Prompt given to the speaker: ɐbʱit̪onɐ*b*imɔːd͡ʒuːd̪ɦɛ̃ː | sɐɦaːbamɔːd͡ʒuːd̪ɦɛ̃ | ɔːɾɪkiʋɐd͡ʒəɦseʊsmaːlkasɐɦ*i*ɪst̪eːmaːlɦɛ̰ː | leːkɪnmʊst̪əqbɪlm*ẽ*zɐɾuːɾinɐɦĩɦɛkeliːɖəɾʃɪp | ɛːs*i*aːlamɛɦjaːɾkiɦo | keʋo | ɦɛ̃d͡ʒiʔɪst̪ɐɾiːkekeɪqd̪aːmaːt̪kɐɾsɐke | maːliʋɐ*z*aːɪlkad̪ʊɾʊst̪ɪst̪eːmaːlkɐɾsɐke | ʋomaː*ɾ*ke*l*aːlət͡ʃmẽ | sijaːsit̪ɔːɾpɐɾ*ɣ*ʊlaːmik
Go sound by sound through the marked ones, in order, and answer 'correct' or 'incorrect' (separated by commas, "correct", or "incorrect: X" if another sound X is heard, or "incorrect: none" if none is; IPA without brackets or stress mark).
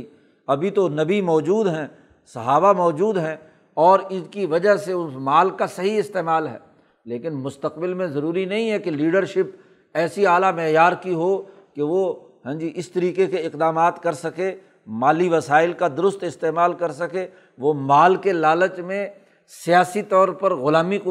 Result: correct, correct, correct, correct, incorrect: s, incorrect: l, correct, correct